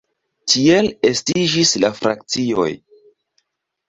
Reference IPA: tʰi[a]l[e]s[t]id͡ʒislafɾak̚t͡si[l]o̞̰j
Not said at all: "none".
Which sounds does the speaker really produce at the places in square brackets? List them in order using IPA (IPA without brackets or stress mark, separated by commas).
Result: e, e, t, none